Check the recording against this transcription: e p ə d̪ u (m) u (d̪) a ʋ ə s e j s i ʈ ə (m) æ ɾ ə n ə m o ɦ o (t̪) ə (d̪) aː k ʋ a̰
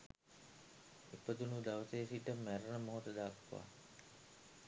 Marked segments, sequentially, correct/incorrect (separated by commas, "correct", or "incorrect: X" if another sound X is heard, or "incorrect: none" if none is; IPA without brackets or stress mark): incorrect: n, correct, correct, correct, correct